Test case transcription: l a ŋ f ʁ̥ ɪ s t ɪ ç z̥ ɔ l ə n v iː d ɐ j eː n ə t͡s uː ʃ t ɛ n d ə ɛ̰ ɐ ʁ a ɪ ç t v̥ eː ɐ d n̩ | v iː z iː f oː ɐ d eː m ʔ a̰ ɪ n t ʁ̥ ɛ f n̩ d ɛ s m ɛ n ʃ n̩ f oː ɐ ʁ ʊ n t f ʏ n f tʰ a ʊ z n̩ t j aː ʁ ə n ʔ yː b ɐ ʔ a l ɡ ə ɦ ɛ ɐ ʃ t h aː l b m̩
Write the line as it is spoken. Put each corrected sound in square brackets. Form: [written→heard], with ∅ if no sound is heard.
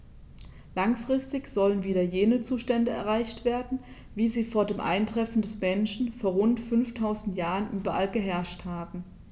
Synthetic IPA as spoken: l a ŋ f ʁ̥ ɪ s t ɪ ç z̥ ɔ l ə n v iː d ɐ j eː n ə t͡s uː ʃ t ɛ n d ə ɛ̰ ɐ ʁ a ɪ ç t v̥ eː ɐ d n̩ | v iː z iː f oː ɐ d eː m ʔ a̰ ɪ n t ʁ̥ ɛ f n̩ d ɛ s m ɛ n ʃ n̩ f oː ɐ ʁ ʊ n t f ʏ n f tʰ a ʊ z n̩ t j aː ʁ ə n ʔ yː b ɐ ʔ a l ɡ ə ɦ ɛ ɐ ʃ t h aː [l→∅] b m̩